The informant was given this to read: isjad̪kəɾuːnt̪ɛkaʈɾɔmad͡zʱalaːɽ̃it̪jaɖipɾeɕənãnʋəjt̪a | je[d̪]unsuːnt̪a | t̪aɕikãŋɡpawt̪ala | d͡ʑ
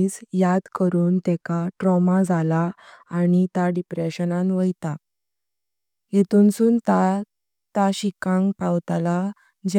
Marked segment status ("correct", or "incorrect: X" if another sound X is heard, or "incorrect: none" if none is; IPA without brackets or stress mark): incorrect: t̪